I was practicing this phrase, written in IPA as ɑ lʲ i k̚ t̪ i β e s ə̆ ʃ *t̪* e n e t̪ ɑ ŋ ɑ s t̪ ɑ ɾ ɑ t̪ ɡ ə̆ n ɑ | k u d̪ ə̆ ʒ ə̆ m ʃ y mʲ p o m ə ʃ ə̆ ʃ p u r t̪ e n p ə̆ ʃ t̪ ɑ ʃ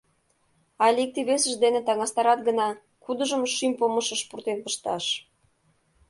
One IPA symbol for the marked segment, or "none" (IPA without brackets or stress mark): d̪